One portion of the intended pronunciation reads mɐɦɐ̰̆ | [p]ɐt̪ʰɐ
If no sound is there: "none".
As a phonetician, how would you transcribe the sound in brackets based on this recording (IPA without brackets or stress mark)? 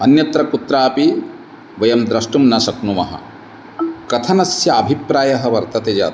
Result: k